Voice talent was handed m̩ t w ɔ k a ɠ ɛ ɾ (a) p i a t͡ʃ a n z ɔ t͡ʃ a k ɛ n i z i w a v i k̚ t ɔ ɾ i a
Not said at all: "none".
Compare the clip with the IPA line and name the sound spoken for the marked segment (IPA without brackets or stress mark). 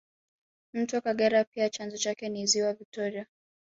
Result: a